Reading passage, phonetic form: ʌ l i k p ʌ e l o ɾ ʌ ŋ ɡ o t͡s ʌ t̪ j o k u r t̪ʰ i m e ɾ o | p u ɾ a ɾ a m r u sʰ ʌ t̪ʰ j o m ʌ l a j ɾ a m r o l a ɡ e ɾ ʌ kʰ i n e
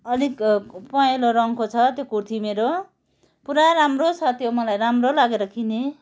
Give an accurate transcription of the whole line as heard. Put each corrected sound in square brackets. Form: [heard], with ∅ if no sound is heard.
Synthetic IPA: ʌ l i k p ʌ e l o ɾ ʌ ŋ [k] o [t͡sʰ] ʌ t̪ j o k u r t̪ʰ i m e ɾ o | p u ɾ a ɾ a m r [o] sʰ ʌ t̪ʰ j o m ʌ l a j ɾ a m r o l a ɡ e ɾ ʌ kʰ i n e